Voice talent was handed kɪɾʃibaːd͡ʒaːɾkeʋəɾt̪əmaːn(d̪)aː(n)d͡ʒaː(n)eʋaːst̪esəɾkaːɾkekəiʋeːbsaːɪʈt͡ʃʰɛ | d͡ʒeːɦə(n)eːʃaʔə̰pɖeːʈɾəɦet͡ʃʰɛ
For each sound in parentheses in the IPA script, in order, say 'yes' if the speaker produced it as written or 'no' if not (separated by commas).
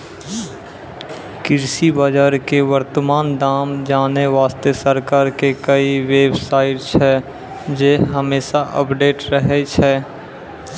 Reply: yes, no, yes, no